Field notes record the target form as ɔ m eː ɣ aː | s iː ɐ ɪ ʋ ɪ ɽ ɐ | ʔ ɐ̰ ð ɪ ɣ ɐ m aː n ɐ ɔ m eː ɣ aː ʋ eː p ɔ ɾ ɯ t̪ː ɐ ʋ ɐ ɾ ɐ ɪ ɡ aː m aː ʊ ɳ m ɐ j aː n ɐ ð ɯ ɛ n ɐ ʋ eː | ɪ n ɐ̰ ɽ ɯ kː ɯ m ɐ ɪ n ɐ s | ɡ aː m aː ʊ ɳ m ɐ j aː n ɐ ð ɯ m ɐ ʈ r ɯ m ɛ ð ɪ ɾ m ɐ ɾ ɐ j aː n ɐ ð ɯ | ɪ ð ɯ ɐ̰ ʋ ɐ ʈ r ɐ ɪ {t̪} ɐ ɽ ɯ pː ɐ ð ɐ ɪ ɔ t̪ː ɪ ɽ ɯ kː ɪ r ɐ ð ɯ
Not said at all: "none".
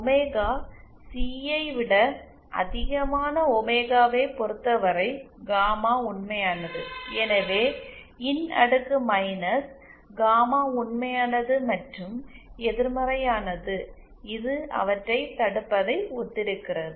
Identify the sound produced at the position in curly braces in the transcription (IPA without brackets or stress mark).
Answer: t̪